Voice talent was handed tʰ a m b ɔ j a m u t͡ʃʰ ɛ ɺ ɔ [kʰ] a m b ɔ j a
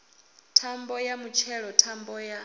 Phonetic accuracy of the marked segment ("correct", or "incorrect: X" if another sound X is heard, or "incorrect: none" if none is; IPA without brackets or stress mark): incorrect: tʰ